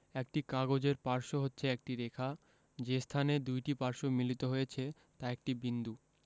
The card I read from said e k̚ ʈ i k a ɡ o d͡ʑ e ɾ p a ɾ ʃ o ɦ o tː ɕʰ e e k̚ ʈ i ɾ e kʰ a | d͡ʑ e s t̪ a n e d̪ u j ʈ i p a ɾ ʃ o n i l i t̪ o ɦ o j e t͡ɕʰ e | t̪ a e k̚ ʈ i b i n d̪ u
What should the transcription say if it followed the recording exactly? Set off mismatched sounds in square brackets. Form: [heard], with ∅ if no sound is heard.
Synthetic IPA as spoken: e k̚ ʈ i k a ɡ o d͡ʑ e ɾ p a ɾ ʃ o ɦ o tː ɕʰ e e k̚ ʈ i ɾ e kʰ a | d͡ʑ e s [t̪ʰ] a n e d̪ u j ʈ i p a ɾ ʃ o [m] i l i t̪ o ɦ o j e t͡ɕʰ e | t̪ a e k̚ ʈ i b i n d̪ u